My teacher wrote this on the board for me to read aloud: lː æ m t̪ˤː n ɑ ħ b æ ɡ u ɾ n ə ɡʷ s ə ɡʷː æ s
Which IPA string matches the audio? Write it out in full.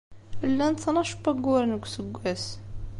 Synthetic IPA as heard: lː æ n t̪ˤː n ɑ ʃ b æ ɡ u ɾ n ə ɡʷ s ə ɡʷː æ s